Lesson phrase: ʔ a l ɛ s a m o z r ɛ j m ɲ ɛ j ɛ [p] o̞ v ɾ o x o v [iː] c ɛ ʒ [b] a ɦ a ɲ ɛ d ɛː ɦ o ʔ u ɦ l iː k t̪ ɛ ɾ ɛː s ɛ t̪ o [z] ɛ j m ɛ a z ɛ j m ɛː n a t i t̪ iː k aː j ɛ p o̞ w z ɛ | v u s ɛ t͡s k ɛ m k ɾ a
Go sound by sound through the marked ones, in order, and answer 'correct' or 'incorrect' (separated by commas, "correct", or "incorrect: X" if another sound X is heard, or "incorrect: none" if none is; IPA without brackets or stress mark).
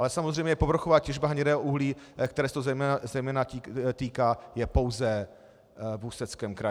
correct, incorrect: aː, correct, correct